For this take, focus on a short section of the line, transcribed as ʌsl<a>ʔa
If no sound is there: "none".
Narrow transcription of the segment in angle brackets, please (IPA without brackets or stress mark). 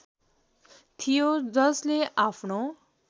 e